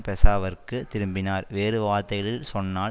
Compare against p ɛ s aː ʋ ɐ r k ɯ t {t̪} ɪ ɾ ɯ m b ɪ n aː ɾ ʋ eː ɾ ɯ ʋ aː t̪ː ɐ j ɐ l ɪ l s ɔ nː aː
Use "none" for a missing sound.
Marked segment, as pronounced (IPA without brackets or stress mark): t̪